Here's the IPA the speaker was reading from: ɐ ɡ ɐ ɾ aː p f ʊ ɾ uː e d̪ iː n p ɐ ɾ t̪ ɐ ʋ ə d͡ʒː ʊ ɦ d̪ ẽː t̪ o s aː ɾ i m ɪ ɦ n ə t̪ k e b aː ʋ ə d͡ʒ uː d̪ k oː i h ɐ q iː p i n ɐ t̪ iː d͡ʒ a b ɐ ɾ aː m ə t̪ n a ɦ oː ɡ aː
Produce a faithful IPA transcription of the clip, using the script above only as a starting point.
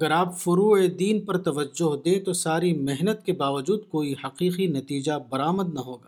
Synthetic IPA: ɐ ɡ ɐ ɾ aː p f ʊ ɾ uː e d̪ iː n p ɐ ɾ t̪ ɐ ʋ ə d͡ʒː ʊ ɦ d̪ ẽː t̪ o s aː ɾ i m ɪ ɦ n ə t̪ k e b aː ʋ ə d͡ʒ uː d̪ k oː i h ɐ q iː q i n ɐ t̪ iː d͡ʒ a b ɐ ɾ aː m ə d̪ n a ɦ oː ɡ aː